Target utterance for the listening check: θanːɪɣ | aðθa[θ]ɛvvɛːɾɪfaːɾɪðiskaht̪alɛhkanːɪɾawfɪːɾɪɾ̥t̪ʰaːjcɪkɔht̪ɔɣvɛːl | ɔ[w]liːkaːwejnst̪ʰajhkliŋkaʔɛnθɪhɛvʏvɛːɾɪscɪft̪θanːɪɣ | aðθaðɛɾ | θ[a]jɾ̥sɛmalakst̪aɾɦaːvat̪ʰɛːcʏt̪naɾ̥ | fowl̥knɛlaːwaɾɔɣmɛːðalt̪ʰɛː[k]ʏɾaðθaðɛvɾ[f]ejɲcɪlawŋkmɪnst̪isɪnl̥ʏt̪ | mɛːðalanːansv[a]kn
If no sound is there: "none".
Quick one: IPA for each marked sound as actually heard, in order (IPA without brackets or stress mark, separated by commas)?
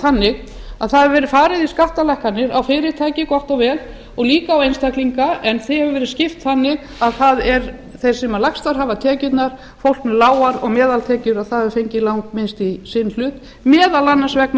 ð, ɣ, e, c, f, ɛ